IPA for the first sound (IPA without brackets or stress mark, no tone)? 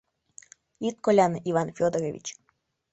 i